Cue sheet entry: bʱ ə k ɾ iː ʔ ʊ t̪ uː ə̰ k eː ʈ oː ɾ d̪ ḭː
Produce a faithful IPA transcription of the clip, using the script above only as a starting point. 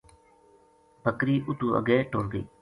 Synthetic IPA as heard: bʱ ə k ɾ iː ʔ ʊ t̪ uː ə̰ ɡ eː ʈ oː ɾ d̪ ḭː